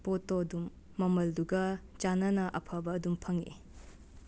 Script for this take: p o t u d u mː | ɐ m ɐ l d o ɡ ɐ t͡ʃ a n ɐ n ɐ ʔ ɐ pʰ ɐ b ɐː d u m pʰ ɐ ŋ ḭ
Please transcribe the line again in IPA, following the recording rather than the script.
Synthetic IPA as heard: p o t o d u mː | ɐ m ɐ l d u ɡ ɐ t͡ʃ a n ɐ n ɐ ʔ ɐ pʰ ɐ b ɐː d u m pʰ ɐ ŋ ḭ